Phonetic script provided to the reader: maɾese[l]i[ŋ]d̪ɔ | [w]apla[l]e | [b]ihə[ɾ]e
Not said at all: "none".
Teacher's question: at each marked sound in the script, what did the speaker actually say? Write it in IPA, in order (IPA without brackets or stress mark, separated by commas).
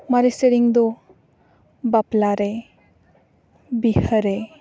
ɾ, ŋ, b, ɾ, b, ɾ